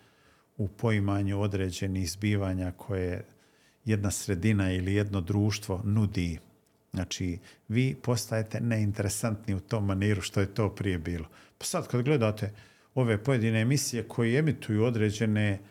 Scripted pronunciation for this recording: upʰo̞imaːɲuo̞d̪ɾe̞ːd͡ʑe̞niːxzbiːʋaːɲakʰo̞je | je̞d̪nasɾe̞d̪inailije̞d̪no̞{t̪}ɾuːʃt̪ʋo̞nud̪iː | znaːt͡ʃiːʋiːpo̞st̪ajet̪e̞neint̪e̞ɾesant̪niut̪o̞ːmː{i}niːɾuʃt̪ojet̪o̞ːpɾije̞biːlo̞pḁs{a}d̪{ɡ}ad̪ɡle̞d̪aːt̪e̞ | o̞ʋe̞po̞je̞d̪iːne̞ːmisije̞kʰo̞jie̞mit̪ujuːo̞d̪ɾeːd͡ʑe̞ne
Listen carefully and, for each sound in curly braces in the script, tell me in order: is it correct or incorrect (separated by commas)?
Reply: incorrect, incorrect, correct, incorrect